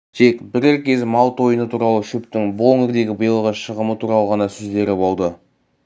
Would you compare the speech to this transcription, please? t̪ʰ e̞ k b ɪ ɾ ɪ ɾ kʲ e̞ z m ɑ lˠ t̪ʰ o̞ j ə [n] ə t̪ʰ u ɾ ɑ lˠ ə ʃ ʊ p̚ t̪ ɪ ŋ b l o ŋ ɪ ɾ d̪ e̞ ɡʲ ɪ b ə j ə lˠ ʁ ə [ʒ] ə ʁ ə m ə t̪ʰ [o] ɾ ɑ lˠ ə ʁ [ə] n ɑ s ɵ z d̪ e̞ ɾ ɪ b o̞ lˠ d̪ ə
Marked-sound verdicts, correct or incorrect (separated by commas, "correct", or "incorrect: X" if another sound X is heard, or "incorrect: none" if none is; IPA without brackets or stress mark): correct, incorrect: ʃ, incorrect: u, incorrect: ɑ